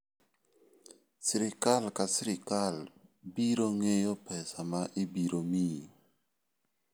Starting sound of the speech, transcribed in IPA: s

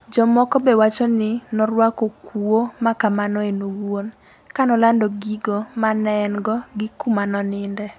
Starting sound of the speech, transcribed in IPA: d͡ʒ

